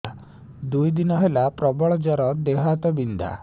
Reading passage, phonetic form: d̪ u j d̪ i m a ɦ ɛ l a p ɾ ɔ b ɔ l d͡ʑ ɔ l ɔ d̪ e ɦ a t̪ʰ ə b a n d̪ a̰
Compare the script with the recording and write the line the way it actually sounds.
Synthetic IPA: d̪ u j d̪ i n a ɦ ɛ l a p ɾ ɔ b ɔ ɭ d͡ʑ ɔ ɾ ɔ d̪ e ɦ a t̪ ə b i n d̪ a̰